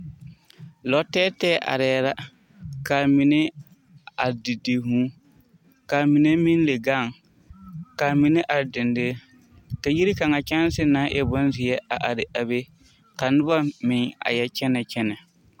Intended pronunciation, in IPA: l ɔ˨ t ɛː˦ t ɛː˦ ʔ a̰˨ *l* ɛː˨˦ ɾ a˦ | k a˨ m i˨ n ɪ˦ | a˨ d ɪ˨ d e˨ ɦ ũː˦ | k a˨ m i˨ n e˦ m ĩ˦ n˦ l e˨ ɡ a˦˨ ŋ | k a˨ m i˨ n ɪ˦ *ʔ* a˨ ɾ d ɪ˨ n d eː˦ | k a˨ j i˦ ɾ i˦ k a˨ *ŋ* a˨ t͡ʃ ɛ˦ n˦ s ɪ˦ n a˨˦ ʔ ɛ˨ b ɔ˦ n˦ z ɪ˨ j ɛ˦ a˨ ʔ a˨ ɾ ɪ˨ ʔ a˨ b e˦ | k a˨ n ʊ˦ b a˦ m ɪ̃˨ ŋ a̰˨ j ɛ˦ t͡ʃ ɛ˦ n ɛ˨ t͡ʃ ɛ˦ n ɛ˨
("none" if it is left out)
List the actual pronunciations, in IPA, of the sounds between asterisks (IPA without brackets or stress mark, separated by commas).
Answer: ɾ, ʔ, ŋ